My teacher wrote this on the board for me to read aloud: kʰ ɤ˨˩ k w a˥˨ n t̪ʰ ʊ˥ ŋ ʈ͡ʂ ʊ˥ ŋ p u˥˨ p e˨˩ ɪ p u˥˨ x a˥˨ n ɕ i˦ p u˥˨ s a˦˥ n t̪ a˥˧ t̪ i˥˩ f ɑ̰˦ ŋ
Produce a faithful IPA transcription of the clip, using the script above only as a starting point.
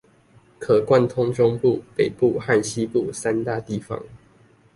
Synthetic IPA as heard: kʰ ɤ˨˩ k w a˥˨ n t̪ʰ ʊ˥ ŋ ʈ͡ʂ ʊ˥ ŋ p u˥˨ p e˨˩ ɪ p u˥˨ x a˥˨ n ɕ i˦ p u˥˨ s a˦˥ n t̪ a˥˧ t̪ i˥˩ f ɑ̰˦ ŋ